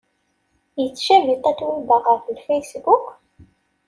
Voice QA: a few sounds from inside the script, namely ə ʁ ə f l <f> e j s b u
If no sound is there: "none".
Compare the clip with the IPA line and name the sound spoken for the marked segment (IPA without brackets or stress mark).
f